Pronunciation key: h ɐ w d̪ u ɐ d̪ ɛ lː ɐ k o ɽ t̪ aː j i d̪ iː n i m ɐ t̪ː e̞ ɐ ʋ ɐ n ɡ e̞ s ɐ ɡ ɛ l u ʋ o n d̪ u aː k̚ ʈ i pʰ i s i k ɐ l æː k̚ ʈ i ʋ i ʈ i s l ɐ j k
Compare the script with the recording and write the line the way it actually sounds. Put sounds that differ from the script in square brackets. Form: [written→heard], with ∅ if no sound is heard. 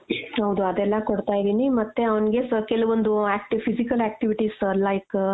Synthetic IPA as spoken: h ɐ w d̪ u ɐ d̪ ɛ lː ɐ k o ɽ t̪ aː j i d̪ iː n i m ɐ t̪ː e̞ ɐ ʋ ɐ n ɡ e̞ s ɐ [ɡ→k] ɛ l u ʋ o n d̪ u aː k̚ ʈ i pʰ i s i k ɐ l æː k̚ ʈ i ʋ i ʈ i s l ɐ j k